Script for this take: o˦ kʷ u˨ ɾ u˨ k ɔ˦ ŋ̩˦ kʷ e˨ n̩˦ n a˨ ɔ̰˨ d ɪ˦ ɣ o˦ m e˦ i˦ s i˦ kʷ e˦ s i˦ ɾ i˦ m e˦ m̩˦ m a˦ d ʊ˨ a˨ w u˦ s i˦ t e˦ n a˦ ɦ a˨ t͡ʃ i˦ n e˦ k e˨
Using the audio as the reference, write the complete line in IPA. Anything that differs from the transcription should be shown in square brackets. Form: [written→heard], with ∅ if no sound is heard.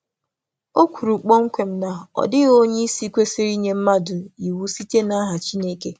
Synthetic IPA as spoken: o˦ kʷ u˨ ɾ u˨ [k→k͡p] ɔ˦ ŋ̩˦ kʷ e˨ [n̩˦→m̩˦] n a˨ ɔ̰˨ d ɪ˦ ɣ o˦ [m→ɲ] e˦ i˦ s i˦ kʷ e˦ s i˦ ɾ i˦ [m→ɲ] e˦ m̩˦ m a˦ d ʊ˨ [a˨→i˨] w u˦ s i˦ t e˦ n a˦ ɦ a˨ t͡ʃ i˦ n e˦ k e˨